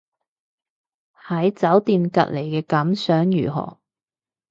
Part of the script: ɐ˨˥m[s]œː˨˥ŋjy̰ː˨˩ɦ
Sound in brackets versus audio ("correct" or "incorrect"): correct